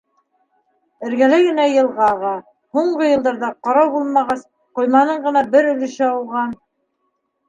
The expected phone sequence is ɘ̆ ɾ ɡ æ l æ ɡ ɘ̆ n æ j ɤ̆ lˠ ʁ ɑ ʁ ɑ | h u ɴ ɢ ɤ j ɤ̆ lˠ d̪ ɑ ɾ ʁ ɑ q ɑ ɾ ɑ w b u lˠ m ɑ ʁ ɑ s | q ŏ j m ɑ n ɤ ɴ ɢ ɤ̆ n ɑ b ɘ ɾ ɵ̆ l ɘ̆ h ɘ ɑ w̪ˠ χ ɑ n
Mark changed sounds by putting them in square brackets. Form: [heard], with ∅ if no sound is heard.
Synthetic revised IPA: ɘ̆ ɾ ɡ æ l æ ɡ ɘ̆ n æ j ɤ̆ lˠ ʁ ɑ ʁ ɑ | h u ɴ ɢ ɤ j ɤ̆ lˠ d̪ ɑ ɾ [ð] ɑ q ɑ ɾ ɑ w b u lˠ m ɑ ʁ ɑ s | q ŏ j m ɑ n ɤ ɴ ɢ ɤ̆ n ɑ b ɘ ɾ ɵ̆ l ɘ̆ [ʃ] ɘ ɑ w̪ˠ [ʁ] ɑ n